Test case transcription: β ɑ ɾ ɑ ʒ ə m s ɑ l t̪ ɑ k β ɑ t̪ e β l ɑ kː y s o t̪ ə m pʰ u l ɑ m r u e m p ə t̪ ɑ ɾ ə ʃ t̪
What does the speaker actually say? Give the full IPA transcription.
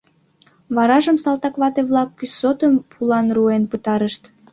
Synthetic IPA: β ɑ ɾ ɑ ʒ ə m s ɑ l t̪ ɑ k β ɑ t̪ e β l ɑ kː y s o t̪ ə m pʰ u l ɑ n r u e n p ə t̪ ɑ ɾ ə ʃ t̪